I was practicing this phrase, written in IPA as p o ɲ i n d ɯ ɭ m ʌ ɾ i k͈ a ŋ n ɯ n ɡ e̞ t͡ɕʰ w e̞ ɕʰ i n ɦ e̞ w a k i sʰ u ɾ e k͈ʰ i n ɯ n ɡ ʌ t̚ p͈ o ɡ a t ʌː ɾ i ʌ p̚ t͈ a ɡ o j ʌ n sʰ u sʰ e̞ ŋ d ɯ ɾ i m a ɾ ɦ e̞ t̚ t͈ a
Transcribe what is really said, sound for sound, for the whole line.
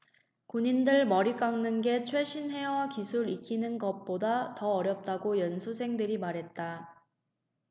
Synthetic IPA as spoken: k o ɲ i n d ɯ ɭ m ʌ ɾ i k͈ a ŋ n ɯ n ɡ e̞ t͡ɕʰ w e̞ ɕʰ i n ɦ e̞ w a k i sʰ u ɾ i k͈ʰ i n ɯ n ɡ ʌ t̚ p͈ o d a t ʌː ɾ j ʌ p̚ t͈ a ɡ o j ʌ n sʰ u sʰ e̞ ŋ d ɯ ɾ i m a ɾ ɦ e̞ t̚ t͈ a